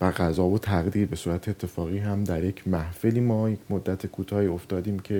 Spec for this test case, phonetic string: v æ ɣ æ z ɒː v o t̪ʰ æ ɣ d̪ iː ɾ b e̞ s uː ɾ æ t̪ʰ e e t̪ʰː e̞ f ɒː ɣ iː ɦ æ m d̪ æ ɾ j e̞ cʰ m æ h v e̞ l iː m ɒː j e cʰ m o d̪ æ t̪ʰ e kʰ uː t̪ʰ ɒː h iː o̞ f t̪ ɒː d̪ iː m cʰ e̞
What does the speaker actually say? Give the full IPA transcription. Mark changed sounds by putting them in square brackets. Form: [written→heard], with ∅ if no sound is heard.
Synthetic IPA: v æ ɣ æ z ɒː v o t̪ʰ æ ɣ d̪ iː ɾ b e̞ s uː ɾ æ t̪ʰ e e t̪ʰː e̞ f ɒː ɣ iː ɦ æ m d̪ æ ɾ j e̞ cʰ m æ h [v→f] e̞ l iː m ɒː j e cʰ m o [d̪→d̪ː] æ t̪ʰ e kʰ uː t̪ʰ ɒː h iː o̞ f t̪ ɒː d̪ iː m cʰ e̞